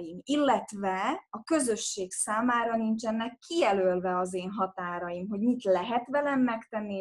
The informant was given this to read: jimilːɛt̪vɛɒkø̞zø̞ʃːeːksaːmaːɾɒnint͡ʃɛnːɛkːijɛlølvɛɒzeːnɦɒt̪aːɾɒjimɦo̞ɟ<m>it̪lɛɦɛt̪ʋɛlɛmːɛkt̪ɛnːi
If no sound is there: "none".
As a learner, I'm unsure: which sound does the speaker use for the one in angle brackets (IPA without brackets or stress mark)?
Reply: m